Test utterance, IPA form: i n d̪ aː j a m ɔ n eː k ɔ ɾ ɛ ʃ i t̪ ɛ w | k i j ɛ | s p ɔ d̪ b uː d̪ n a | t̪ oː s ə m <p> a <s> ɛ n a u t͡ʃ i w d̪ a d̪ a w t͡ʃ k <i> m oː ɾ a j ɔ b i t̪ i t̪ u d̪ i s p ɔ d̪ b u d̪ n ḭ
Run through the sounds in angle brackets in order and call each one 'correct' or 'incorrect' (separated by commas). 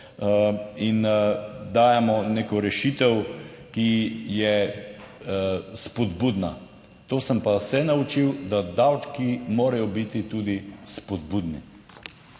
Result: correct, correct, correct